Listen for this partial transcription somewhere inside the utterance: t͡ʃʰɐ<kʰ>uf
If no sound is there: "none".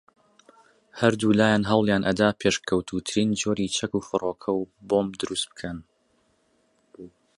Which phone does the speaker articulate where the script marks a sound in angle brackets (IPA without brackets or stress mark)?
k